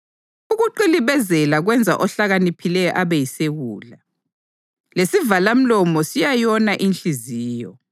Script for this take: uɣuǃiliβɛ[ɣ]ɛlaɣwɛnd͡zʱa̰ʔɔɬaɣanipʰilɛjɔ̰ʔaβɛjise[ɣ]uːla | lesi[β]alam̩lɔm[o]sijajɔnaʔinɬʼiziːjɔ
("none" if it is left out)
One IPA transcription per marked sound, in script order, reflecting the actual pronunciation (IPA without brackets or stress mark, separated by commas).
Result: z, ɣ, v, ɔ